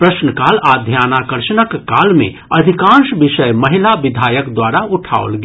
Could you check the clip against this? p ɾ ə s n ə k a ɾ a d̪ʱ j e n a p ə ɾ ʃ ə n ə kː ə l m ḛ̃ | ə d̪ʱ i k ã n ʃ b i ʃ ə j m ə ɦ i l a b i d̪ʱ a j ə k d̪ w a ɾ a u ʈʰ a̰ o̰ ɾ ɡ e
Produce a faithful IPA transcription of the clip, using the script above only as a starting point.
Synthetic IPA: p ɾ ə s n ə k a l a d̪ʱ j a n a k ə ɾ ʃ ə n ə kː a l m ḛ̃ | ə d̪ʱ i k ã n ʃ b i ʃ ə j m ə ɦ i l a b i d̪ʱ a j ə k d̪ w a ɾ a u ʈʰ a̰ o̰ l ɡ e